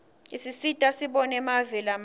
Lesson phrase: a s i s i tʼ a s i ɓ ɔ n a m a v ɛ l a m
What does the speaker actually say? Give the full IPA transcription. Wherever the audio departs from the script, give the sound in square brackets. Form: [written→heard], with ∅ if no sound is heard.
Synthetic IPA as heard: [a→i] s i s i tʼ a s i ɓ ɔ n [a→ɛ] m a v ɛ l a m